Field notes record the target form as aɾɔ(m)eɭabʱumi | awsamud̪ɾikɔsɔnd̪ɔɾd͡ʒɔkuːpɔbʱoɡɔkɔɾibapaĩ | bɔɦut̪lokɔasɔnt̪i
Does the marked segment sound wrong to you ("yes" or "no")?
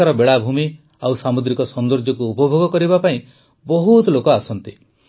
yes